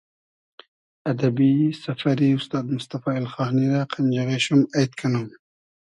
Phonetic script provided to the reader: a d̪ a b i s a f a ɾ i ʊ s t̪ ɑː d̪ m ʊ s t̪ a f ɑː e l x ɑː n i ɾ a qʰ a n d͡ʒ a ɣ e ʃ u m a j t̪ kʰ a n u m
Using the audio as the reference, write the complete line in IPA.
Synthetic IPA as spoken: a d̪ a b i s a f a ɾ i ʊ s t̪ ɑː d̪ m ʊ s t̪ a f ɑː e l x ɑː n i ɾ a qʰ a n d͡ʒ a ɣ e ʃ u m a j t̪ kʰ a n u m